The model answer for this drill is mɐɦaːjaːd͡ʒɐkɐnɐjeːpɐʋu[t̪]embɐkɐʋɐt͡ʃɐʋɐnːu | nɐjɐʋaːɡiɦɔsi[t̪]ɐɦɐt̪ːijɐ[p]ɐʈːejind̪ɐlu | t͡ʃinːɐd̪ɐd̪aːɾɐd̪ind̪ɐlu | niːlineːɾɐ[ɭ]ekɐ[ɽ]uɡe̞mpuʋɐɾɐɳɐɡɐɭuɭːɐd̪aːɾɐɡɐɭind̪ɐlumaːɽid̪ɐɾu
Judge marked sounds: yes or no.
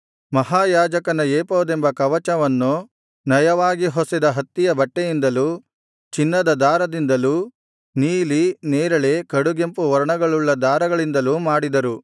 no, no, no, yes, yes

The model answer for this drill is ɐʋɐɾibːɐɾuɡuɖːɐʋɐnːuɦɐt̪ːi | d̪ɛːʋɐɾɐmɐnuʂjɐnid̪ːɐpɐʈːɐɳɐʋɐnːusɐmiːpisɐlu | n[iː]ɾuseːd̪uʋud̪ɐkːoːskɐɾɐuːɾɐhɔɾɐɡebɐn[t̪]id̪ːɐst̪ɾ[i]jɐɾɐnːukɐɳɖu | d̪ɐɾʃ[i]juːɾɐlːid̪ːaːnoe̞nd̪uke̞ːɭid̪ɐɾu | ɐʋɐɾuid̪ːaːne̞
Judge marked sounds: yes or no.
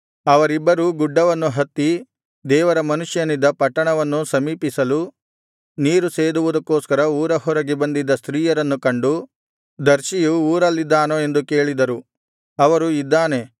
yes, no, no, yes

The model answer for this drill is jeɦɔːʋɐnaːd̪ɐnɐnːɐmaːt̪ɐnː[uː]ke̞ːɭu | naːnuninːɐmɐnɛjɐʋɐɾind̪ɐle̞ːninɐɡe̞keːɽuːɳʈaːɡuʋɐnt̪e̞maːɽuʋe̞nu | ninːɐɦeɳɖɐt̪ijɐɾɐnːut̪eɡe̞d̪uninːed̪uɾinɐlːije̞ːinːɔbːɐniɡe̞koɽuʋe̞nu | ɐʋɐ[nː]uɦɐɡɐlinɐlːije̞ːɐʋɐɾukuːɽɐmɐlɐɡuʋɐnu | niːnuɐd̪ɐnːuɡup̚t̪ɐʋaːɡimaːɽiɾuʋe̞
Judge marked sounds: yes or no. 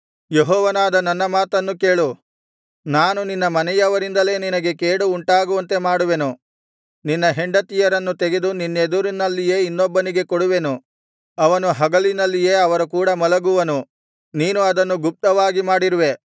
no, no

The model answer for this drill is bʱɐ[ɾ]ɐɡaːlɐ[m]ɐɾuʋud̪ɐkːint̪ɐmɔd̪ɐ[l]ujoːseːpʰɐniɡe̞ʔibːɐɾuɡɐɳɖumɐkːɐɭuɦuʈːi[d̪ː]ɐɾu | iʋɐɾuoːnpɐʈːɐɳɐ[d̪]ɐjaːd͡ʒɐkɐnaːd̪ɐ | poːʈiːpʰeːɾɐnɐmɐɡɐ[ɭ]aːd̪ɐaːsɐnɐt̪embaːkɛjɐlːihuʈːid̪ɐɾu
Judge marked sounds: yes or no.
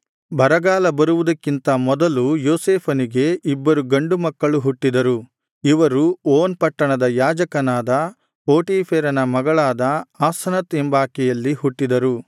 yes, no, yes, no, yes, yes

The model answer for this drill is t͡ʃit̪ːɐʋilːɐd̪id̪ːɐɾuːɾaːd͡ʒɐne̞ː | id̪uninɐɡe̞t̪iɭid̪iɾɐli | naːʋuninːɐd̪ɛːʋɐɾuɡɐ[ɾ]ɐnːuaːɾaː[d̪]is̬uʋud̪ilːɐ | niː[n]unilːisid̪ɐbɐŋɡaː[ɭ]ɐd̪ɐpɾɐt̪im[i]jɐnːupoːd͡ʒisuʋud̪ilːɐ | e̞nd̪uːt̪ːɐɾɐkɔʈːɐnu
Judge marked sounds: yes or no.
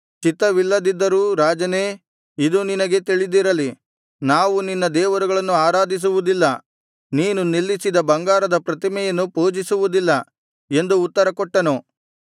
no, yes, yes, no, no

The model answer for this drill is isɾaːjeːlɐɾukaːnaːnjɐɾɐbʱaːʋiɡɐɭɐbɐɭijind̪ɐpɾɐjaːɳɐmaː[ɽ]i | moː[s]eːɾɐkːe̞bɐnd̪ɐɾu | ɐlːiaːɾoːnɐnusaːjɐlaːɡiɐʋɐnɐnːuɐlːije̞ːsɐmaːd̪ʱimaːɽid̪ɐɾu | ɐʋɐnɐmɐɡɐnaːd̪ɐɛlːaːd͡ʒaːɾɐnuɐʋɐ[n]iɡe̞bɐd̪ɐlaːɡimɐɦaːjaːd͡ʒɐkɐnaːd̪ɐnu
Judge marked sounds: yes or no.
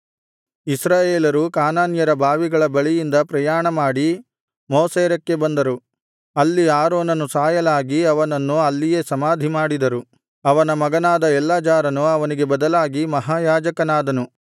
yes, yes, yes

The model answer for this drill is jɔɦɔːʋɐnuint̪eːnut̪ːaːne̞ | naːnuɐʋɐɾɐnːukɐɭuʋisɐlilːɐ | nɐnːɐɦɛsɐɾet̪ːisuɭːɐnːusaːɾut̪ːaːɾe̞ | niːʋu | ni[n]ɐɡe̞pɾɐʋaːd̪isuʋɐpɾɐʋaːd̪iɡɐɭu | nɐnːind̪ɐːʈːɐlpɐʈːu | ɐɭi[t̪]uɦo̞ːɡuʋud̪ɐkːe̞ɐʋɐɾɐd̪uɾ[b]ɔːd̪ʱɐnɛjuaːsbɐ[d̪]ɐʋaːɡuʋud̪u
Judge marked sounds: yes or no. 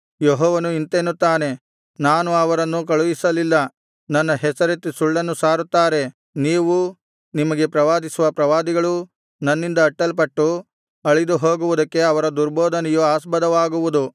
no, no, yes, yes

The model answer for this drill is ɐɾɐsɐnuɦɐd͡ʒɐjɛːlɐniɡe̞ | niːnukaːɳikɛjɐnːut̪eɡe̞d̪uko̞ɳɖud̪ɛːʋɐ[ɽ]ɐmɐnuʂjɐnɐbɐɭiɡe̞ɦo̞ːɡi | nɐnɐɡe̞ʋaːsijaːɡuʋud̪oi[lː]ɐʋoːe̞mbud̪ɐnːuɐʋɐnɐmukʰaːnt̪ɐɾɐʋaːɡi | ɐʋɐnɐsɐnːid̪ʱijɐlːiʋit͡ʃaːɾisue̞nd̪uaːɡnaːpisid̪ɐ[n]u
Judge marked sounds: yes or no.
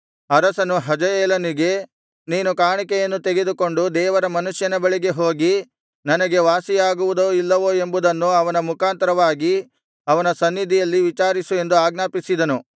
no, yes, yes

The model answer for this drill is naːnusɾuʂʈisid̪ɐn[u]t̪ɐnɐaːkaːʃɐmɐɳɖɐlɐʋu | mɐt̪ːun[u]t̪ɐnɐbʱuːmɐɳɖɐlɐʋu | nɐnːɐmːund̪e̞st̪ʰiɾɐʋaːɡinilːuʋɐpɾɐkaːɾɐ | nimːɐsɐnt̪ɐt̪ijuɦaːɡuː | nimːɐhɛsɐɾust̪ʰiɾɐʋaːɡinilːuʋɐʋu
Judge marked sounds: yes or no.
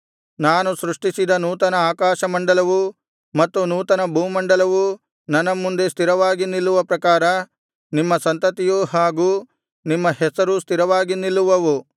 no, no

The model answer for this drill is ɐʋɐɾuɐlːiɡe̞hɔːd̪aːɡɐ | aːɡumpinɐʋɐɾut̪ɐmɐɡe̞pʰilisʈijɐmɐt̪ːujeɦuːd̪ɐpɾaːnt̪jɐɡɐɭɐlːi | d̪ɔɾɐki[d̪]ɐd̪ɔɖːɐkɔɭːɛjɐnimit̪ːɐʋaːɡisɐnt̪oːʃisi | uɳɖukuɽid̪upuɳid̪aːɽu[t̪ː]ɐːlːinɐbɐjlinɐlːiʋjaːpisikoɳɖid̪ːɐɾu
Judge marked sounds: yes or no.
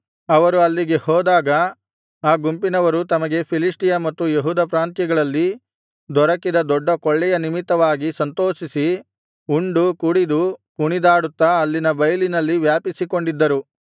yes, yes

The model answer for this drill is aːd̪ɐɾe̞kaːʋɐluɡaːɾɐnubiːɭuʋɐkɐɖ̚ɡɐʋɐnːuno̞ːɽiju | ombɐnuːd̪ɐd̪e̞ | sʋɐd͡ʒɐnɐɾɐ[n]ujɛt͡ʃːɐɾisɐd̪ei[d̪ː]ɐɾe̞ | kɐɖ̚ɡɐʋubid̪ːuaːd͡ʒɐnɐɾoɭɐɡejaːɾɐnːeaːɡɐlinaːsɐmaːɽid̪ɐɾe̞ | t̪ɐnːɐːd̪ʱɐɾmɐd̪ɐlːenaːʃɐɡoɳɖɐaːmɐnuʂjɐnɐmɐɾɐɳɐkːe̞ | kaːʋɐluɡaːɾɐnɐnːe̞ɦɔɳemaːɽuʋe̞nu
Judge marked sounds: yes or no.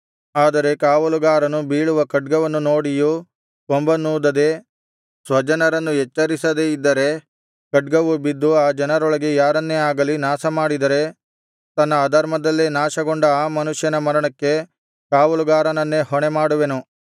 no, yes

